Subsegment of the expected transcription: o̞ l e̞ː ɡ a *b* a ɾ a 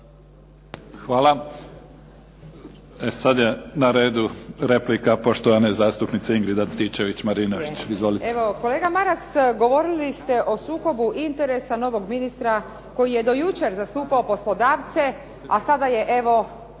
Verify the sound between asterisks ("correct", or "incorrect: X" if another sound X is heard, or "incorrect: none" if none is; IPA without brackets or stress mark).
incorrect: m